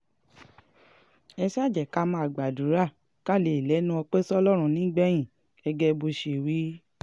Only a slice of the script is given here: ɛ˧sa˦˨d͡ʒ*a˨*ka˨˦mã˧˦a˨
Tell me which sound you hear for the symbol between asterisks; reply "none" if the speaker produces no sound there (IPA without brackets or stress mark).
ɛ˨